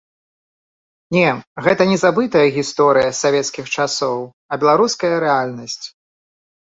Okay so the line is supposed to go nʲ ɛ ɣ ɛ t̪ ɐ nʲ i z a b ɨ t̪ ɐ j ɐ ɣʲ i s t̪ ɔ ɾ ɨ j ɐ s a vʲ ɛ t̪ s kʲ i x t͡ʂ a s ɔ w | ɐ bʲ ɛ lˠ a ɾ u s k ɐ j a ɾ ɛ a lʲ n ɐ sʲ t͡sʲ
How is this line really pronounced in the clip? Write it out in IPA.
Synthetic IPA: nʲ ɛ ɣ ɛ t̪ ɐ nʲ ɛ z a b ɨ t̪ ɐ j ɐ ɣʲ i s t̪ ɔ ɾ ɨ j ɐ s a vʲ ɛ t̪ s kʲ i x t͡ʂ a s ɔ w | ɐ bʲ ɛ lˠ a ɾ u s k ɐ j ɐ ɾ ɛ a lʲ n ɐ sʲ t͡sʲ